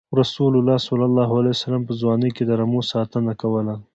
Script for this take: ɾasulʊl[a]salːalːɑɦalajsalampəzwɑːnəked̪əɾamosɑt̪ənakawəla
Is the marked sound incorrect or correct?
incorrect